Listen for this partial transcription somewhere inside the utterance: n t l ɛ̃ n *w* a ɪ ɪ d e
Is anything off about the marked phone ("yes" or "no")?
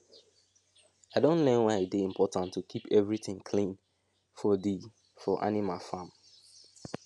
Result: no